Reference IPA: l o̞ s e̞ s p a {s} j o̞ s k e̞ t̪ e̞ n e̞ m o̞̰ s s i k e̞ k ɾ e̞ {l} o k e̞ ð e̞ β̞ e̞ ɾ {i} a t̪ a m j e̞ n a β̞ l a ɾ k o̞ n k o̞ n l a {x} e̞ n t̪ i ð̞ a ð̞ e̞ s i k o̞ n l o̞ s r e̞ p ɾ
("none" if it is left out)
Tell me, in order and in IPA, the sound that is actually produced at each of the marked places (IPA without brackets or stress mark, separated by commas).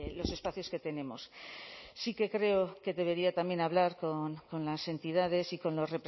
θ, none, i, s